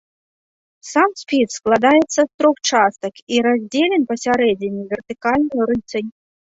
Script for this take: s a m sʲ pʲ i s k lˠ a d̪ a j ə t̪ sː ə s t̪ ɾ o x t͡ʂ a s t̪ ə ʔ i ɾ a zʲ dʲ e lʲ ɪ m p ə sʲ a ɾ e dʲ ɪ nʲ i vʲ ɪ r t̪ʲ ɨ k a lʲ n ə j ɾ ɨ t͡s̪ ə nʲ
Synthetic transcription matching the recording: s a m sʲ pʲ i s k lˠ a d̪ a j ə t̪ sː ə s t̪ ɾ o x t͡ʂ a s t̪ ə k i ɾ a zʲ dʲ e lʲ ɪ n p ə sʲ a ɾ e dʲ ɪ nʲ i vʲ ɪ r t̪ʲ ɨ k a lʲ n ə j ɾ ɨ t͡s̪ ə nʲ